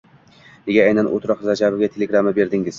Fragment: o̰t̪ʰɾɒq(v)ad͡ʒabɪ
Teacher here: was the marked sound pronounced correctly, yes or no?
no